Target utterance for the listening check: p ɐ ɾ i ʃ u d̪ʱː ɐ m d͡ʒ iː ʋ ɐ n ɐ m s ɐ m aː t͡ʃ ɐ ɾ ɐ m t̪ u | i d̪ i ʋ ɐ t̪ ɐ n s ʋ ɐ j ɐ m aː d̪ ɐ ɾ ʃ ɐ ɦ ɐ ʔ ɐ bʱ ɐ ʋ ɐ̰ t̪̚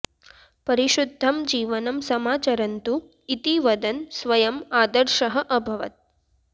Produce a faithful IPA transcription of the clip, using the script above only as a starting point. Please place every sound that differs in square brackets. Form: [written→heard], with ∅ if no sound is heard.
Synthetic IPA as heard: p ɐ ɾ i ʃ u d̪ʱː ɐ m d͡ʒ iː ʋ ɐ n ɐ m s ɐ m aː t͡ʃ ɐ ɾ ɐ [m→n] t̪ u | i [d̪→t̪] i ʋ ɐ [t̪→d̪] ɐ n s ʋ ɐ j ɐ m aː d̪ ɐ ɾ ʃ ɐ ɦ ɐ ʔ ɐ bʱ ɐ ʋ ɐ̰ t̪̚